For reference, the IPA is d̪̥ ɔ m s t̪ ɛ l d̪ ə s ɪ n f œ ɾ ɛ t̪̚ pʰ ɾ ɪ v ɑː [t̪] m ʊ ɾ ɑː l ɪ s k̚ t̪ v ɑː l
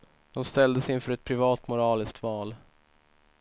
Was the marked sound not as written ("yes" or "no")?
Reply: no